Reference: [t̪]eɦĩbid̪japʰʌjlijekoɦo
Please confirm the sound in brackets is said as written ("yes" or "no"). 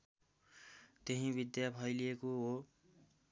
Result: yes